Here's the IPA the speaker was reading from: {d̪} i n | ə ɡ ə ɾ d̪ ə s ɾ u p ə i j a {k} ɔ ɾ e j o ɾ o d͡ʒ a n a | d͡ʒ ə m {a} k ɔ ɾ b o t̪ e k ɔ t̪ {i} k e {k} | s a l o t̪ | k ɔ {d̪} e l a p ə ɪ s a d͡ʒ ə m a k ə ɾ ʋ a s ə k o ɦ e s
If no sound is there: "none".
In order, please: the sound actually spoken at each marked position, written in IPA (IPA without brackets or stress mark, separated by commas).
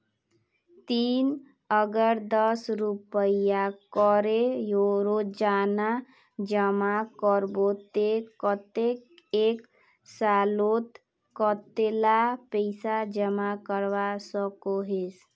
t̪, k, a, e, k, t̪